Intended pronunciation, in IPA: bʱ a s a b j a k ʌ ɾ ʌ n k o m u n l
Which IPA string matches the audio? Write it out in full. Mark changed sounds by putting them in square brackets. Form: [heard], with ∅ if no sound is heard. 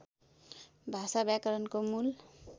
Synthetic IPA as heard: bʱ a s a b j a k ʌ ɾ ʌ n k o m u [∅] l